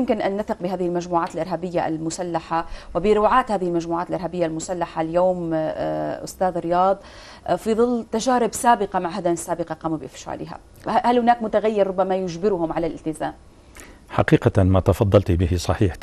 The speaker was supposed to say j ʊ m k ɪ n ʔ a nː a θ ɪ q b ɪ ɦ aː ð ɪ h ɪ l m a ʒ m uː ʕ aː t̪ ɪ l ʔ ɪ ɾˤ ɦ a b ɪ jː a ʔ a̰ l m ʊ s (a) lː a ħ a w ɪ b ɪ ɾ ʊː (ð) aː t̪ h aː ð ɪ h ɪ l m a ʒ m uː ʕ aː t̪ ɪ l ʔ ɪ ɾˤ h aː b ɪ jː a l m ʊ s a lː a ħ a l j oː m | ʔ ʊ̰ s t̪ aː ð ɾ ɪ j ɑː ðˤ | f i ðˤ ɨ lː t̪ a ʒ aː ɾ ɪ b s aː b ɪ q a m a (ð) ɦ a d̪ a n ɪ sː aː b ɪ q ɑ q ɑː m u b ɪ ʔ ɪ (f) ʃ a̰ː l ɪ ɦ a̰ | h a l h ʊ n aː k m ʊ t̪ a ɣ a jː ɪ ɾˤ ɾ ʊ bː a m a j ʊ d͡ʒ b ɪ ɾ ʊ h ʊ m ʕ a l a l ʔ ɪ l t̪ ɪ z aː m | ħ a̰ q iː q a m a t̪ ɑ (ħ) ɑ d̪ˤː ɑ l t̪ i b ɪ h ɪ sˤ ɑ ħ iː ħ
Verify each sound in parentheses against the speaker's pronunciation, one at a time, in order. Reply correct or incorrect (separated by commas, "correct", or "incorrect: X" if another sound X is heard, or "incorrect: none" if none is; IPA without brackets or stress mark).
correct, incorrect: ʕ, incorrect: ʕ, correct, incorrect: f